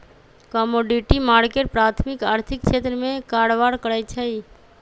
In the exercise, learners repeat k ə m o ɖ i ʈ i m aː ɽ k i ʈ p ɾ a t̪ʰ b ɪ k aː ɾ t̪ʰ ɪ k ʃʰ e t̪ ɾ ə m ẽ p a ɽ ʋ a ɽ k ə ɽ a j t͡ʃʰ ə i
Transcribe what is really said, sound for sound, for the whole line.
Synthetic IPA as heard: k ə m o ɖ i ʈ i m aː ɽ k e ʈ p ɾ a t̪ʰ m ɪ k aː ɾ t̪ʰ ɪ k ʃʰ e t̪ ɾ ə m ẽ k a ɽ ʋ a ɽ k ə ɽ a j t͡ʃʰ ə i